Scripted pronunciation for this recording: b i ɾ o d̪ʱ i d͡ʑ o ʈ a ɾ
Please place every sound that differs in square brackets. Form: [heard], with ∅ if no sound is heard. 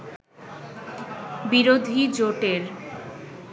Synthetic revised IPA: b i ɾ o d̪ʱ i d͡ʑ o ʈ [e] ɾ